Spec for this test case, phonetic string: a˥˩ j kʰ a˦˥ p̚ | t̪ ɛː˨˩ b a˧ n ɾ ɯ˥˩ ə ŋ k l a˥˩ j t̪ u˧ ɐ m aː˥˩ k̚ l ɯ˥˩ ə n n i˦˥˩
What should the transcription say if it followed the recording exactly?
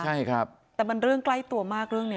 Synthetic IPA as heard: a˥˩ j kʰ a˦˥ p̚ | t̪ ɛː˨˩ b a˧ n ɾ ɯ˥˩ ə ŋ k l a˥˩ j t̪ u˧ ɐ m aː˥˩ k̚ ɾ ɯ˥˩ ə ŋ n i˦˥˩